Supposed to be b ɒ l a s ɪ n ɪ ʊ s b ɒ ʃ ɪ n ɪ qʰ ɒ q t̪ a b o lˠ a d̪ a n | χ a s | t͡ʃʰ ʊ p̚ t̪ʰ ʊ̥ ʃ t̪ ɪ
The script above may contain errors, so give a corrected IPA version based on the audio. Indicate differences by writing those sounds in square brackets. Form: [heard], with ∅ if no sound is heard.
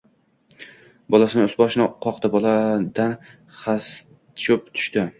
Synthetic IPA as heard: b ɒ l a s ɪ n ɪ ʊ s b ɒ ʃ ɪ n ɪ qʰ ɒ q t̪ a b [ɒ] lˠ a d̪ a n | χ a s | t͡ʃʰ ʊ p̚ t̪ʰ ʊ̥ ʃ t̪ ɪ